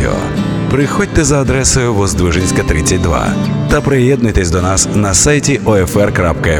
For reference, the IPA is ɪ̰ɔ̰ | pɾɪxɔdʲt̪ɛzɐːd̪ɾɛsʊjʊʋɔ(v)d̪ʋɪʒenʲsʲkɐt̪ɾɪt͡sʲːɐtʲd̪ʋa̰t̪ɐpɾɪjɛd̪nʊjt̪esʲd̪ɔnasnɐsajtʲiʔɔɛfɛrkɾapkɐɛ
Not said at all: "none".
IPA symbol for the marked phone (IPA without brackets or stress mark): z